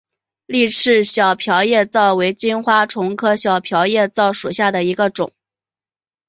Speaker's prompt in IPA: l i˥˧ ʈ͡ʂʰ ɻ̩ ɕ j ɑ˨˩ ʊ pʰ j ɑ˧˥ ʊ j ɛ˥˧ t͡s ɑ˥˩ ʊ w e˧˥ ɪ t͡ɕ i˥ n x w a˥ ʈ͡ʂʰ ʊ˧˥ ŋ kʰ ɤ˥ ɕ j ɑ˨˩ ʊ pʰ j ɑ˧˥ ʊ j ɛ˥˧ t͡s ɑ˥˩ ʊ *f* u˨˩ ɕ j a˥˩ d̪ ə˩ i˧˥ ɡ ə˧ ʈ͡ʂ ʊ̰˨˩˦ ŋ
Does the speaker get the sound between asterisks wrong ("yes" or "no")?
yes